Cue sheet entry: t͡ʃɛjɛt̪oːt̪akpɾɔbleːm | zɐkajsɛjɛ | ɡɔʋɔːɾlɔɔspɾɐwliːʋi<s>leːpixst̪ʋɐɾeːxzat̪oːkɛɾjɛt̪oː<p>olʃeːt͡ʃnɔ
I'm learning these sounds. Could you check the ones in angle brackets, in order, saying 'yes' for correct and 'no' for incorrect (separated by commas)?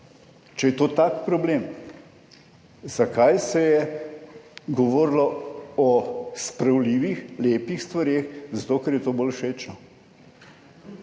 no, no